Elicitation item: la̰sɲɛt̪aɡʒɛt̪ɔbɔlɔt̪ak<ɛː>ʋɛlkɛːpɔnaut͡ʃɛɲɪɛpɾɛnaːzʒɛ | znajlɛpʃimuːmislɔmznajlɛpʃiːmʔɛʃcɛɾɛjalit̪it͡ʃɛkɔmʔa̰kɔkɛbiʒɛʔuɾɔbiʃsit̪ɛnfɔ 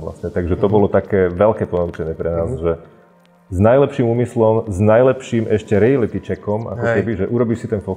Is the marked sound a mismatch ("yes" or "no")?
no